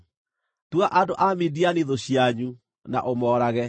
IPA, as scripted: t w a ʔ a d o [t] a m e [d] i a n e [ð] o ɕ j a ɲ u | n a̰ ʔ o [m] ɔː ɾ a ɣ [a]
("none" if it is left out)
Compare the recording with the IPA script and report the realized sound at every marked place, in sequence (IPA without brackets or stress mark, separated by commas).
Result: ʔ, d, ð, m, ɛ